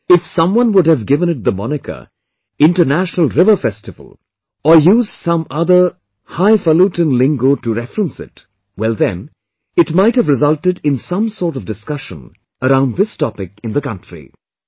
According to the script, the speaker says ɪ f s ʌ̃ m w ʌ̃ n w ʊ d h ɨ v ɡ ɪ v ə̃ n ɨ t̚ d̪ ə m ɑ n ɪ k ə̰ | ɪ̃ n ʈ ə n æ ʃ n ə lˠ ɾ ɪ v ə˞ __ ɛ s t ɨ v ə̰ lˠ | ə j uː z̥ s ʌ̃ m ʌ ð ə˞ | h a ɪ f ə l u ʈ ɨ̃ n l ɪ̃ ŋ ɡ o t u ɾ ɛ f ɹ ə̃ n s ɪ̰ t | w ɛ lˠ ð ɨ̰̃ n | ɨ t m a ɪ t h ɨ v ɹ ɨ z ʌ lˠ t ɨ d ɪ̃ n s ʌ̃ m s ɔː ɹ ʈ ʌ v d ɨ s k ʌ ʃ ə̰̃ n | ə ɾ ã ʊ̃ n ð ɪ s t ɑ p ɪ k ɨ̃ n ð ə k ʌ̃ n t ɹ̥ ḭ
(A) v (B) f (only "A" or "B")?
B